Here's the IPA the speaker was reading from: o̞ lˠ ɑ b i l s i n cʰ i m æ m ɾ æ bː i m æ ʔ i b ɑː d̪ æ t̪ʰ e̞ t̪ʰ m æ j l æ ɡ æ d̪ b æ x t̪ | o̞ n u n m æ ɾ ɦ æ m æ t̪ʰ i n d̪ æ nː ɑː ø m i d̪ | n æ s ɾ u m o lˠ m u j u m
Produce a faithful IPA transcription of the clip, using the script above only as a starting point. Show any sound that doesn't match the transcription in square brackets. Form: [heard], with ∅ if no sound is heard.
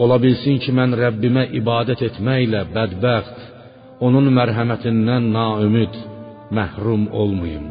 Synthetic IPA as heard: o̞ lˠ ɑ b i l s i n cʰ i m æ [n] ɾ æ bː i m æ ʔ i b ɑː d̪ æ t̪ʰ e̞ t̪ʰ m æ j l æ [b] æ d̪ b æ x t̪ | o̞ n u n m æ ɾ ɦ æ m æ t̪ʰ i n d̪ æ nː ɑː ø m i d̪ | [m] æ [h] ɾ u m o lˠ m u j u m